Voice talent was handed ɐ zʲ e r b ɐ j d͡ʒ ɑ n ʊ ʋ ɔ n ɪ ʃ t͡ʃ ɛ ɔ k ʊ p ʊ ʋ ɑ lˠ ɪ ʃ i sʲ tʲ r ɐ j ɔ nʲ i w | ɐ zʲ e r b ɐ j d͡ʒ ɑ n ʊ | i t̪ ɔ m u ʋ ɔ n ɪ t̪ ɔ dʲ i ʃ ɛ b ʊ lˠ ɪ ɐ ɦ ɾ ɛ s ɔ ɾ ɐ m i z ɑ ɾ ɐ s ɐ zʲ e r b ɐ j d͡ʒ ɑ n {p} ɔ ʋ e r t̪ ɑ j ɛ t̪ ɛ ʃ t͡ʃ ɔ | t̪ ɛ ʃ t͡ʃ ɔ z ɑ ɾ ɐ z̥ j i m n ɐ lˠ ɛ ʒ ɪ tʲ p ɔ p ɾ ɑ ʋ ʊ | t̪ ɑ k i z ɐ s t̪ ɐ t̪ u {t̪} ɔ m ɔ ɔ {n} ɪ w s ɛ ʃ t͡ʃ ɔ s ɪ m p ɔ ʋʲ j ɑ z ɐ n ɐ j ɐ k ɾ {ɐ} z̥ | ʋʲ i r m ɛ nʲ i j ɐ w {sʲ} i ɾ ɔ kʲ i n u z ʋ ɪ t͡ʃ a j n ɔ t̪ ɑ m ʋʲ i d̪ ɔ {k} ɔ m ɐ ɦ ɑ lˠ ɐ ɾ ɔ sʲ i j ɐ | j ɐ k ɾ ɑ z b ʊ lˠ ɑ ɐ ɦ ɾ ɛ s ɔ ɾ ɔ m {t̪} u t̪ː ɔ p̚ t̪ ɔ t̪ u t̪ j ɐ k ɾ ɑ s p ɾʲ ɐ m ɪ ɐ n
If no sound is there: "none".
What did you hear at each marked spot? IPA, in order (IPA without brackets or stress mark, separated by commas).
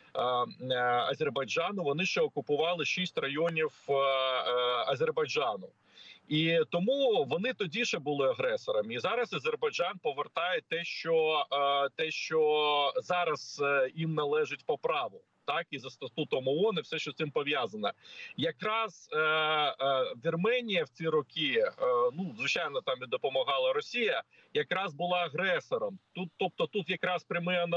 p, t̪, n, ɑ, t͡sʲ, p, t̪